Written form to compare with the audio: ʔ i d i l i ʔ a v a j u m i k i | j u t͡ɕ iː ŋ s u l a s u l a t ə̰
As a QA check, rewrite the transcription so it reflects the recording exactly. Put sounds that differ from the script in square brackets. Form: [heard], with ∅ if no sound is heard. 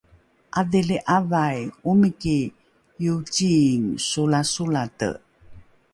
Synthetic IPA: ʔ [a] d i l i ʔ a v a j u m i k i | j u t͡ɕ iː ŋ s u l a s u l a t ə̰

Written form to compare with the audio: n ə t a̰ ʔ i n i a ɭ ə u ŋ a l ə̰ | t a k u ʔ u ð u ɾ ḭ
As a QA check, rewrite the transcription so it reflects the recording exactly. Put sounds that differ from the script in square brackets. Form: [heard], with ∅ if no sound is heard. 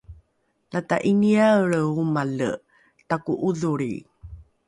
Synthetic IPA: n [a] t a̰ ʔ i n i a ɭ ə u [m] a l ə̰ | t a k u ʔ u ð u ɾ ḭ

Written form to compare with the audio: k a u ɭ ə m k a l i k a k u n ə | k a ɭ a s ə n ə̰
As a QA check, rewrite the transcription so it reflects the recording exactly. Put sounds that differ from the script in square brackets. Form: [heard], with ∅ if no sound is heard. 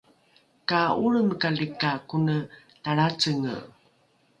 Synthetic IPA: k a u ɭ ə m k a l i k a k u n ə | [t] a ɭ a [t͡s] ə [ŋ] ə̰

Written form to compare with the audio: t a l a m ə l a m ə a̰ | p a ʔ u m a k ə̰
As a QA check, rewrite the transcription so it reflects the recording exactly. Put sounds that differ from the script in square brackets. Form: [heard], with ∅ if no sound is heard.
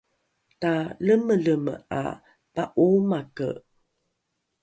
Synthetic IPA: t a l [ə] m ə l [ə] m ə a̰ | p a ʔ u m a k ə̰

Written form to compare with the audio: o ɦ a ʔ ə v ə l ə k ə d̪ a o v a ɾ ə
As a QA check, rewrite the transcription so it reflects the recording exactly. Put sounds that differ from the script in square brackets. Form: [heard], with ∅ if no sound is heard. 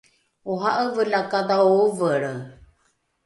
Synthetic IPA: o ɦ a ʔ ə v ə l [a] k [a] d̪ a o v [ə] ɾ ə

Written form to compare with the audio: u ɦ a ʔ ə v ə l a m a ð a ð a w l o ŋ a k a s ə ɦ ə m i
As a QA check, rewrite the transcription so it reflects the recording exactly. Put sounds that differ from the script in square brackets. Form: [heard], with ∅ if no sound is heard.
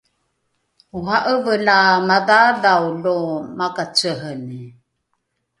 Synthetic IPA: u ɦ a ʔ ə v ə l a m a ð a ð a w l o [m] a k a [t͡s] ə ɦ ə [n] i

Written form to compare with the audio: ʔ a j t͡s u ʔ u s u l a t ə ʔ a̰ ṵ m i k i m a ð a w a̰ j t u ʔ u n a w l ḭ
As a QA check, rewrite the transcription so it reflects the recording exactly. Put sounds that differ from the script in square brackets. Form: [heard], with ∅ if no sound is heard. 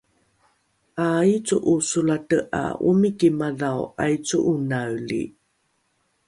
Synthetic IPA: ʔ a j t͡s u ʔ u s u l a t ə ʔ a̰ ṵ m i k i m a ð a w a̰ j [t͡s] u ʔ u n a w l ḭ

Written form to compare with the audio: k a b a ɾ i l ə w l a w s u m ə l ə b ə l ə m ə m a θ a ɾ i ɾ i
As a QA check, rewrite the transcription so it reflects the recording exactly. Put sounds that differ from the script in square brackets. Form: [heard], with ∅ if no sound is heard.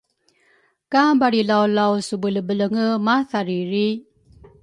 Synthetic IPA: k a b a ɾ i l [a] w l a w s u [b] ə l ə b ə l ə [ŋ] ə m a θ a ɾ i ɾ i

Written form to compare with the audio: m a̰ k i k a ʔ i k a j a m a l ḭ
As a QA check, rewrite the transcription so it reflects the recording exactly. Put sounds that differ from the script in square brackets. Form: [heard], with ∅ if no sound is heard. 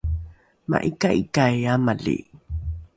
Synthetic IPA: m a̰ [ʔ] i k a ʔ i k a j a m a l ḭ

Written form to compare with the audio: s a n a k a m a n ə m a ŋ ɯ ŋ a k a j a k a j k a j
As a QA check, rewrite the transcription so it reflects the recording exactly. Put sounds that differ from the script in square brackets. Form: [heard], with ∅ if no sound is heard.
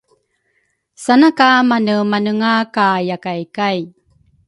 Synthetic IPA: s a n a k a m a n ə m a [n] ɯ ŋ a k a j a k a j k a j

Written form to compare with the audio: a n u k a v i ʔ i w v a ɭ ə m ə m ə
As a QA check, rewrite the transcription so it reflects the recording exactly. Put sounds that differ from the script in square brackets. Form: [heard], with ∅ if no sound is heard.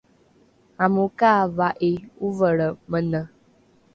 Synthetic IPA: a [m] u k a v [a] ʔ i [u] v [ə] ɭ ə m ə [n] ə

